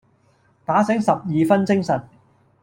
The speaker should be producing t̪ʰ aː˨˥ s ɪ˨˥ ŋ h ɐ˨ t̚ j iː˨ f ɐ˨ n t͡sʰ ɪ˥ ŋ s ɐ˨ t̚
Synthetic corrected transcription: t̪ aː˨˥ s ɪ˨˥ ŋ s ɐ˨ p̚ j iː˨ f ɐ˥ n t͡s ɪ˥ ŋ s ɐ˨ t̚